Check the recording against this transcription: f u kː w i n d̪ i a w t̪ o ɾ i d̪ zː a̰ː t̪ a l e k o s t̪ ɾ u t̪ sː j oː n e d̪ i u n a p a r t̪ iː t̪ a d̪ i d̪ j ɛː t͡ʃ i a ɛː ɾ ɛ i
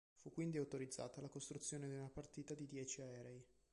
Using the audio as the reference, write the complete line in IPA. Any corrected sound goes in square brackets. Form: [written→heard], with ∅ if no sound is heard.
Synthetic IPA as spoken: f u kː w i n d̪ i a w t̪ o ɾ i d̪ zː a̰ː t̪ a l [e→a] k o s t̪ ɾ u t̪ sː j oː n e d̪ i u n a p a r t̪ iː t̪ a d̪ i d̪ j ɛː t͡ʃ i a ɛː ɾ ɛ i